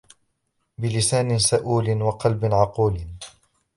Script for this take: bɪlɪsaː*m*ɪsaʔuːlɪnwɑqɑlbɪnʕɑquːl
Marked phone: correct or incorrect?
incorrect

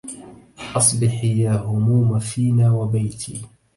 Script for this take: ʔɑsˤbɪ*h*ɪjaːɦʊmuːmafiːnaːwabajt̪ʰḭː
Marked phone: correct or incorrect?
incorrect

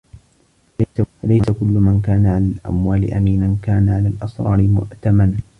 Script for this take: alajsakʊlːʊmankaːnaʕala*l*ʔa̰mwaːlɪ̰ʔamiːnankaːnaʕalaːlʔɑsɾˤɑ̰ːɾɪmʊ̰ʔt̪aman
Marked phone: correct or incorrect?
correct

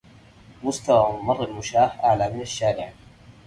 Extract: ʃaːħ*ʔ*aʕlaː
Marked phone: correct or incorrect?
correct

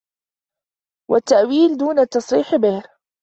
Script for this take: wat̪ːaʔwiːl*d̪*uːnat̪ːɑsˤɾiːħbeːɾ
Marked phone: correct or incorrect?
correct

